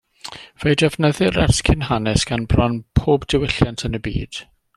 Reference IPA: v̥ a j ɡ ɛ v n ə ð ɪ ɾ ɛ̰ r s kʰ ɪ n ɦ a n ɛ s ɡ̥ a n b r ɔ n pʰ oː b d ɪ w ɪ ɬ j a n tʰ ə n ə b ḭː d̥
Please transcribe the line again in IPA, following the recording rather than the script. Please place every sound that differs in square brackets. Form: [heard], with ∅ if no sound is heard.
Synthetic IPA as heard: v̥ [e] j [d] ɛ v n ə ð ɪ ɾ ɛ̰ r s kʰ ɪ n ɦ a n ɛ s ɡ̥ a n b r ɔ n pʰ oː b d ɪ w ɪ ɬ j a n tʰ ə n ə b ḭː d̥